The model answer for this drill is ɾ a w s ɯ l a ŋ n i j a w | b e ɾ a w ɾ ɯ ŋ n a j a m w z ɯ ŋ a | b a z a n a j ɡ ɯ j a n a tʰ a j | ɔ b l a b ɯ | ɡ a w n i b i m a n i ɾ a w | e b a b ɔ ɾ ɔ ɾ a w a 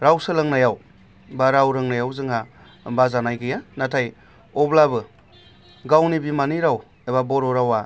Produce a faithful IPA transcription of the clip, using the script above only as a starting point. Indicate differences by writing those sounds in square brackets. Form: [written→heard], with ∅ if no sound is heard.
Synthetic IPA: ɾ a w s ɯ l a ŋ n [i→a] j a w | b [e→a] ɾ a w ɾ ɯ ŋ n a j a [m→∅] w z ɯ ŋ a | b a z a n a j ɡ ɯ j a n a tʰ a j | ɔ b l a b ɯ | ɡ a w n i b i m a n i ɾ a w | e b a b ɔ ɾ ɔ ɾ a w a